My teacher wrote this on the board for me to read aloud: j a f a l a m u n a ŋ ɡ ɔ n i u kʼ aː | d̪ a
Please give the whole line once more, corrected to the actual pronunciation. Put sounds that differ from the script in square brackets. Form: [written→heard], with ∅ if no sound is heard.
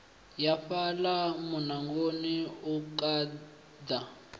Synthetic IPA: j a f a l a m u n a ŋ ɡ [ɔ→o] n i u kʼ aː | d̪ a